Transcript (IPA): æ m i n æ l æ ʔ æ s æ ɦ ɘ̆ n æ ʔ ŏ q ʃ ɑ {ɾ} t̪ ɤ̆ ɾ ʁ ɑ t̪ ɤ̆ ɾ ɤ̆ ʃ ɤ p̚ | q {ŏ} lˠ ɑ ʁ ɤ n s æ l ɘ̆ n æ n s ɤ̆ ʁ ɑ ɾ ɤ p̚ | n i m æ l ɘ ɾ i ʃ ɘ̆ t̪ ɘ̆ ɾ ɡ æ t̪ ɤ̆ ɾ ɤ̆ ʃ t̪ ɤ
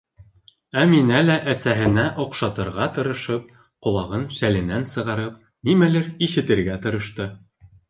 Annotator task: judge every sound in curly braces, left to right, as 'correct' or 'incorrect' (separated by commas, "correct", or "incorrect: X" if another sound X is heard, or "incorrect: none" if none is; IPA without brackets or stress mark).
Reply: incorrect: none, correct